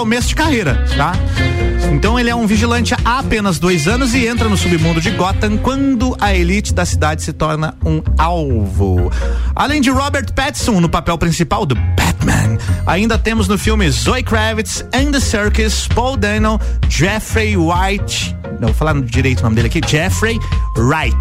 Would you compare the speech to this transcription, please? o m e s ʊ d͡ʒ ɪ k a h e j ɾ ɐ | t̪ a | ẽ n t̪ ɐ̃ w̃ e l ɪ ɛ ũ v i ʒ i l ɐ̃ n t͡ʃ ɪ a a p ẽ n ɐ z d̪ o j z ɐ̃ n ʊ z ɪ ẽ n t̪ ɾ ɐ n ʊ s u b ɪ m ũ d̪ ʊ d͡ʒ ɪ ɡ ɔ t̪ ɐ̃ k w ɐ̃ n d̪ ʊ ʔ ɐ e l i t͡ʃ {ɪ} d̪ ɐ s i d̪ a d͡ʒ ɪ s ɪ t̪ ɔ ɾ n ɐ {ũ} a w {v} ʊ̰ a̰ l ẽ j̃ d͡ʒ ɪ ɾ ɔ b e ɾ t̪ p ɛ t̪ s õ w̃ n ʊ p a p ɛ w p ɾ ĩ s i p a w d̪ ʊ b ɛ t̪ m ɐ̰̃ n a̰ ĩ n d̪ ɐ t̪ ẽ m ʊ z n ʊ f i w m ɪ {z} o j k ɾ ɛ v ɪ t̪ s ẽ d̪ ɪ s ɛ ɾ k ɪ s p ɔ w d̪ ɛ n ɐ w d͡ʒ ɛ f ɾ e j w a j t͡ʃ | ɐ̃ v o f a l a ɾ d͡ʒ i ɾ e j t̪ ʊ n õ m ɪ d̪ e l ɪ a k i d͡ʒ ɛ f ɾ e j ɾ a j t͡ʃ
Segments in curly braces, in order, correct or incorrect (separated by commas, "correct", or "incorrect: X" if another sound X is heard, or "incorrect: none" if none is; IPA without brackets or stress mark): correct, correct, correct, correct